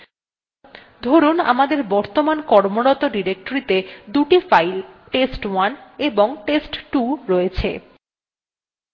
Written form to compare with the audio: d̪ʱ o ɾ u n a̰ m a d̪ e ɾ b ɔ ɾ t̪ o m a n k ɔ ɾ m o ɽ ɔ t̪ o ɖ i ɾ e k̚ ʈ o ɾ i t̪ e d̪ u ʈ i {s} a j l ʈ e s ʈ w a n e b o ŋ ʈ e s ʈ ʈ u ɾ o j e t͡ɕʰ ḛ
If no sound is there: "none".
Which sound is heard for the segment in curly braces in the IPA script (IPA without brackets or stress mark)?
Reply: f